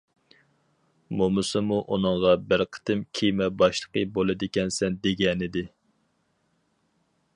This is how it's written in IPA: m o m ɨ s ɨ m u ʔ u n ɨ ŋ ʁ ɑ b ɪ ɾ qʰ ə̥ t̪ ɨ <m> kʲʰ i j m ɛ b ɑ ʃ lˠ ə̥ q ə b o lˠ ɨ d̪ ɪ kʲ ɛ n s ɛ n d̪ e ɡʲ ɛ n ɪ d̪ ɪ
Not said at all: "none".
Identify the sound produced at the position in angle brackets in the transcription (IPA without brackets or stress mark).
m